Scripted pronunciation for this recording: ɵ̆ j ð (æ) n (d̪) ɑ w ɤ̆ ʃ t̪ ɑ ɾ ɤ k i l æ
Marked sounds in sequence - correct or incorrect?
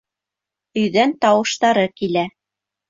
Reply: correct, incorrect: t̪

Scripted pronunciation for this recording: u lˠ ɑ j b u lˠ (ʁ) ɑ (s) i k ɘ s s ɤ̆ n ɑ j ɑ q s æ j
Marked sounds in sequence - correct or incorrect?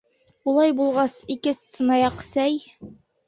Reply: correct, correct

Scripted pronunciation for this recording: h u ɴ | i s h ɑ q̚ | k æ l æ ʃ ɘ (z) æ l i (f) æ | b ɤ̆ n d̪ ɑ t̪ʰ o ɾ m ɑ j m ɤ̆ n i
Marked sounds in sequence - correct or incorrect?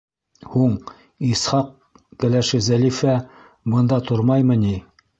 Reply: correct, correct

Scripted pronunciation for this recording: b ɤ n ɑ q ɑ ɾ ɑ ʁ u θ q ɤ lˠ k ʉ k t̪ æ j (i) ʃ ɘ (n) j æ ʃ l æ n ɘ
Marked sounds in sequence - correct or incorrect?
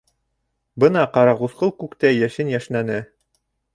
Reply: incorrect: æ, correct

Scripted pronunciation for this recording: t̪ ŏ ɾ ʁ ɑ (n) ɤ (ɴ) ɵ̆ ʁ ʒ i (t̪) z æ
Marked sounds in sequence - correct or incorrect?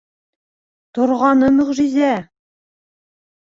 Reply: correct, incorrect: m, incorrect: none

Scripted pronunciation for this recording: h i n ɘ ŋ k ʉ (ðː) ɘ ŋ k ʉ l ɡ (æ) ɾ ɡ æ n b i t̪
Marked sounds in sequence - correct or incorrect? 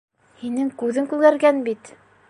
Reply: incorrect: ð, correct

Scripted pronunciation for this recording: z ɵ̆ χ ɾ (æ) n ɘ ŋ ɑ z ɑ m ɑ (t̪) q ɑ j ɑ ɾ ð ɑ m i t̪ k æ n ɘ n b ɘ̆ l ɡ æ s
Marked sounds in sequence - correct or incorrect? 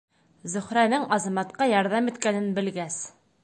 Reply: correct, correct

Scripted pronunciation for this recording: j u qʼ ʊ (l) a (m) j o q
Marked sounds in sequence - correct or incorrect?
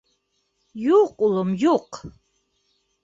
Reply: correct, correct

